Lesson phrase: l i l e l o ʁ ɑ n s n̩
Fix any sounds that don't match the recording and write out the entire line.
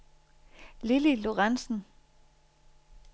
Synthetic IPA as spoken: l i l i l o ʁ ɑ n s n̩